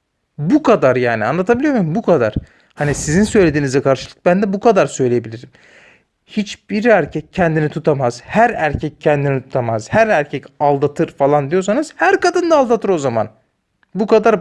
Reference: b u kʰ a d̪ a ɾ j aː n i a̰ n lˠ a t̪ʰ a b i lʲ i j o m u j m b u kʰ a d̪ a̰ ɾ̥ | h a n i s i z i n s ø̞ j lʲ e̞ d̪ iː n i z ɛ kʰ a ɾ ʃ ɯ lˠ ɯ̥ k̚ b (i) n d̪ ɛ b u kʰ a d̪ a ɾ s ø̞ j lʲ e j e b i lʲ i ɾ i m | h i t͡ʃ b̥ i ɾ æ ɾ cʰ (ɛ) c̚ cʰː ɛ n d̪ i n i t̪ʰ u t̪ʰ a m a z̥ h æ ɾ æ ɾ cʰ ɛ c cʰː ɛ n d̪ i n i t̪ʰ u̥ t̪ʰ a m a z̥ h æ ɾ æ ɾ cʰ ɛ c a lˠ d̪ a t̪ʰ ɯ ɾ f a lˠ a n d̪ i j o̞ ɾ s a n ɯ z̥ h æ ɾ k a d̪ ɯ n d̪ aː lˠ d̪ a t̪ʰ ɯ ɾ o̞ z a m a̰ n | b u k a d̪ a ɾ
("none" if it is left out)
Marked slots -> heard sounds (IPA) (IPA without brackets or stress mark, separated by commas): æ, ɛ